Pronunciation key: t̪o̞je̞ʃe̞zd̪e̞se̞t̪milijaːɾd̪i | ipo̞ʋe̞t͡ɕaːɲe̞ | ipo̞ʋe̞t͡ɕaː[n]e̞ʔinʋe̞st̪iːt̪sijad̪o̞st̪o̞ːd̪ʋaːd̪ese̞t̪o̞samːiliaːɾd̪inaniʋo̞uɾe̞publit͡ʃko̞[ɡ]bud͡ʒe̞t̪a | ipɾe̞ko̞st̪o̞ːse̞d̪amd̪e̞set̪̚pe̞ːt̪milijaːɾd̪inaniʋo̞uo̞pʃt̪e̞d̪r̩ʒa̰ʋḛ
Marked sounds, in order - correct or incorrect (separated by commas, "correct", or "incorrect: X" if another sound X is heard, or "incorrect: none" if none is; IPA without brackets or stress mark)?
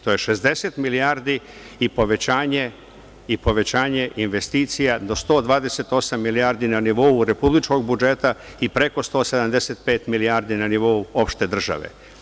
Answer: incorrect: ɲ, correct